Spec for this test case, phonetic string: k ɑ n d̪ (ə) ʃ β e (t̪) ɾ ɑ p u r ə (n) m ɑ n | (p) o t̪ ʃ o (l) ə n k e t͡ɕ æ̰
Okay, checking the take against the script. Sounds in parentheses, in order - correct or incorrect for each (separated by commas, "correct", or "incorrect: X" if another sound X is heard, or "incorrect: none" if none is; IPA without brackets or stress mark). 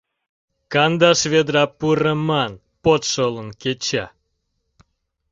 incorrect: ɑ, incorrect: d̪, incorrect: none, correct, correct